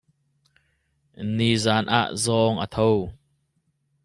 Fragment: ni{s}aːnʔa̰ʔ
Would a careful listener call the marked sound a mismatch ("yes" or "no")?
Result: yes